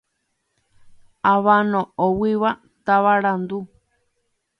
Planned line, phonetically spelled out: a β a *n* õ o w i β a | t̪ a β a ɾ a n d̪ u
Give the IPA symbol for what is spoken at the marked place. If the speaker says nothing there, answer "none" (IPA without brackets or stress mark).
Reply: n